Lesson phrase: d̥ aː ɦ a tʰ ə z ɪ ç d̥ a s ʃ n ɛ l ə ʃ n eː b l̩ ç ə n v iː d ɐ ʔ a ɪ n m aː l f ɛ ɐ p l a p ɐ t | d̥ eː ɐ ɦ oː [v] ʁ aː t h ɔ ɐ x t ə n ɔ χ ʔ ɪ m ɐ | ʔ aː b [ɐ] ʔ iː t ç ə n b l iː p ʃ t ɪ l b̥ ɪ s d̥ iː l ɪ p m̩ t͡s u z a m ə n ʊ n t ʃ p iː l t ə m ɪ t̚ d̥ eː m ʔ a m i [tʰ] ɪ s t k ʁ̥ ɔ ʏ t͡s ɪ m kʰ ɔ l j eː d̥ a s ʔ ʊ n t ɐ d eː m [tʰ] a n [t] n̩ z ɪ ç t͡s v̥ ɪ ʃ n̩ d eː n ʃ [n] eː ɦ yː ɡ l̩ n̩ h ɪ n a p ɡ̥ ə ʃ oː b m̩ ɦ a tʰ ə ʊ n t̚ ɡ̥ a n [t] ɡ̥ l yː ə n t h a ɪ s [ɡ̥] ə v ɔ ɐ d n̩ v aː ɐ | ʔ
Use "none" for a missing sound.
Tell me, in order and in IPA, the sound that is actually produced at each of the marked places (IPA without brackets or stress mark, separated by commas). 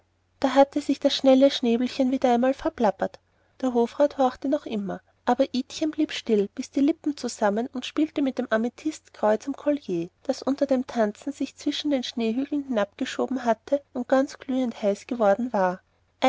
f, ɐ, tʰ, tʰ, t͡s, n, t͡s, ɡ̥